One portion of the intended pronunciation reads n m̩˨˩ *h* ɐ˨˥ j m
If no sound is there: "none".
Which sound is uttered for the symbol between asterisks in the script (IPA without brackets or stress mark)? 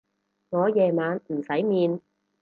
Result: s